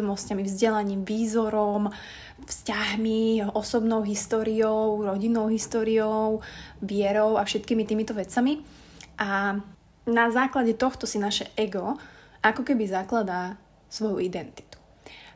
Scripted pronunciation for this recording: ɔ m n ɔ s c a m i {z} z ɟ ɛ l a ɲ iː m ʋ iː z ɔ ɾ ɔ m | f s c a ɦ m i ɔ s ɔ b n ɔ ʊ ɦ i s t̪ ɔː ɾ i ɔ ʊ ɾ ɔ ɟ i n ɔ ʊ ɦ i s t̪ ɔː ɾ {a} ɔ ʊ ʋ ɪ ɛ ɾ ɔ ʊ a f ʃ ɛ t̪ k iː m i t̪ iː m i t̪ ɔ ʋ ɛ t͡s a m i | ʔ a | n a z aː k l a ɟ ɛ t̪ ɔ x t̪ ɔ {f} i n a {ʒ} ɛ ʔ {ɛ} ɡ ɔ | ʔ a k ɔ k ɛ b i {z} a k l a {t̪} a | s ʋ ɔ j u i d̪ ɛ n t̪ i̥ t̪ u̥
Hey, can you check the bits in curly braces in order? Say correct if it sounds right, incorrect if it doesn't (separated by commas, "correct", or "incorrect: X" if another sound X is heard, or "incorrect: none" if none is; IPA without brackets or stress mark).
incorrect: v, incorrect: i, incorrect: s, incorrect: ʃ, correct, correct, incorrect: d̪